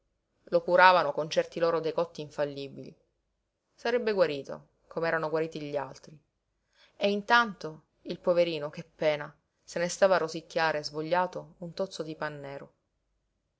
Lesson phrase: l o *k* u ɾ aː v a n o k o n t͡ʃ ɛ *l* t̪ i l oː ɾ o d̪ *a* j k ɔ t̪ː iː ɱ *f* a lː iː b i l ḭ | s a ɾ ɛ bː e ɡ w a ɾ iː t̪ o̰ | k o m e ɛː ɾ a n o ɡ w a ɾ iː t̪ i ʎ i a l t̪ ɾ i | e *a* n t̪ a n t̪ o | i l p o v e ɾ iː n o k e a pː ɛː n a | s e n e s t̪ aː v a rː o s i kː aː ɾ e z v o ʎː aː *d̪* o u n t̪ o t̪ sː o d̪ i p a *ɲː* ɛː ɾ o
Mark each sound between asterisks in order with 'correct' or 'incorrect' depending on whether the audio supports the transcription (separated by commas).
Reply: correct, incorrect, incorrect, correct, incorrect, incorrect, incorrect